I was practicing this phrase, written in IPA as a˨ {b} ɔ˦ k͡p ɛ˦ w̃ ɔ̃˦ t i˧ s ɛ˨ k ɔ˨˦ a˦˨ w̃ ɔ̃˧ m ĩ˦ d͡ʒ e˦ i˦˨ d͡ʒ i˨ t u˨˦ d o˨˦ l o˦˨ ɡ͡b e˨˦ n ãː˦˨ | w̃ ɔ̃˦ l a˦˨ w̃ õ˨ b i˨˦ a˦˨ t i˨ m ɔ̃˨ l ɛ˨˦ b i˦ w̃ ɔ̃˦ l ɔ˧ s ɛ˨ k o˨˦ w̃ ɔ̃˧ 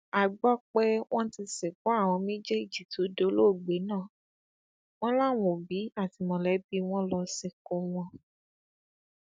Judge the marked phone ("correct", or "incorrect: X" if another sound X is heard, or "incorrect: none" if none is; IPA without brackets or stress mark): incorrect: ɡ͡b